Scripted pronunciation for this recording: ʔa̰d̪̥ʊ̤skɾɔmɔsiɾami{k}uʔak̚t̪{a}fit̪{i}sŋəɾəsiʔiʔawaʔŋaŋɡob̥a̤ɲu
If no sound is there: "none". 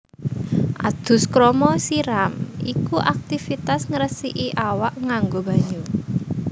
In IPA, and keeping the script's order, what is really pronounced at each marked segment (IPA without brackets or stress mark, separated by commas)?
k, i, a